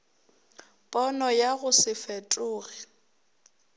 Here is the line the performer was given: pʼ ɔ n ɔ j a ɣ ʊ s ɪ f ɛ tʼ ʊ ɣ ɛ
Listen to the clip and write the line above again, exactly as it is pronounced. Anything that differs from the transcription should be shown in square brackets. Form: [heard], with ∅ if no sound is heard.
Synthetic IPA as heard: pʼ ɔ n ɔ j a ɣ ʊ s ɪ f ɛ tʼ [ʊː] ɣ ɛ